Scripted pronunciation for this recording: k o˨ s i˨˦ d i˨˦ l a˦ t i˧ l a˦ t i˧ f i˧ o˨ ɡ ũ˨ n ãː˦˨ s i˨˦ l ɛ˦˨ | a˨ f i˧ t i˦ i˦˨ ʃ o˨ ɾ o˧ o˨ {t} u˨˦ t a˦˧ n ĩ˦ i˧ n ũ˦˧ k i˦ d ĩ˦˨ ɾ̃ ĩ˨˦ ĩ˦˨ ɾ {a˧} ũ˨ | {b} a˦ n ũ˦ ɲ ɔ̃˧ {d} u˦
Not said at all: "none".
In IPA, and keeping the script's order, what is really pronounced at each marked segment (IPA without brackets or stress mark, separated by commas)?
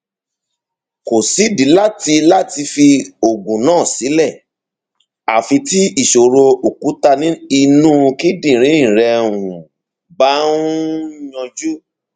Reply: k, ɛ˧, b, d͡ʒ